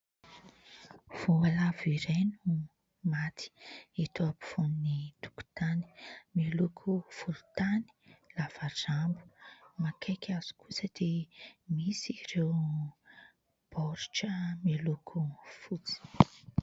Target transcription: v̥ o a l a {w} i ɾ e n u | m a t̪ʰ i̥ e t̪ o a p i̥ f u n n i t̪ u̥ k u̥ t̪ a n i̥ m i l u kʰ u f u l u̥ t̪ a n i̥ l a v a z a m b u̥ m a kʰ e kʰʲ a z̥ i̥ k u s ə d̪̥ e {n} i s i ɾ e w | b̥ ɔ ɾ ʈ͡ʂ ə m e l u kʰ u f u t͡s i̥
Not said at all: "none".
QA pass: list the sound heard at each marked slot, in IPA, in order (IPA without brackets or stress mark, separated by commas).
v, m